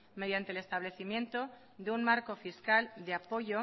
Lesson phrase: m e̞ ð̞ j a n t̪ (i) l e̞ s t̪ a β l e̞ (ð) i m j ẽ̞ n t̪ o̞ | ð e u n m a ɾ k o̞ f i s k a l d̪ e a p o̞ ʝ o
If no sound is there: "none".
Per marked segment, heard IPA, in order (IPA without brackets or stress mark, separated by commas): e, θ